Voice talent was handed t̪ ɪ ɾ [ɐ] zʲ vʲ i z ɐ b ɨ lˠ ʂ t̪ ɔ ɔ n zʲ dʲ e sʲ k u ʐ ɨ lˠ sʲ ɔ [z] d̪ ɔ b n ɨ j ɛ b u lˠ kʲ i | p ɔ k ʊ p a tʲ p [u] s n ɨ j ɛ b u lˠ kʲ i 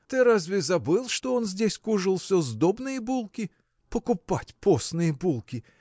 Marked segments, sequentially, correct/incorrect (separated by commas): incorrect, correct, incorrect